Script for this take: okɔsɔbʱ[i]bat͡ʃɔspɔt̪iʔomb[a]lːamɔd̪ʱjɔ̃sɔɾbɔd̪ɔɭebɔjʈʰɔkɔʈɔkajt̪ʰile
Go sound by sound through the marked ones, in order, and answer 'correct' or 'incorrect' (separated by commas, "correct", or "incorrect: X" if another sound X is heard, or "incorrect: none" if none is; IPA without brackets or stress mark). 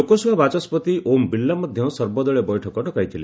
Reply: incorrect: a, incorrect: i